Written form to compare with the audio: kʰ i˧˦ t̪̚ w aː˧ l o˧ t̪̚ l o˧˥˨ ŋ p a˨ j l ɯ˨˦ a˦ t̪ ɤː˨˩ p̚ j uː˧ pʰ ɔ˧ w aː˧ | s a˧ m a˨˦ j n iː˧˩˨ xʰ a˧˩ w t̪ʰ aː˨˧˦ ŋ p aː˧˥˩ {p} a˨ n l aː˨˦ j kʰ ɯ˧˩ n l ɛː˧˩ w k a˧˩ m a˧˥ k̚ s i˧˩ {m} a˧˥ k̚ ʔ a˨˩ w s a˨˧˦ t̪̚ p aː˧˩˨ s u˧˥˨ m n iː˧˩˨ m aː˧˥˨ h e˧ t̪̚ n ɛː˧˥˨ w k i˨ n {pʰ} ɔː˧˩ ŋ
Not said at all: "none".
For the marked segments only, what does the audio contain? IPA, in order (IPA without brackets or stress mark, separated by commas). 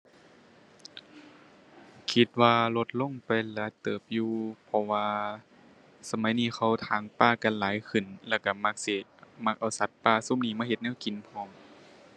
k, m, pʰ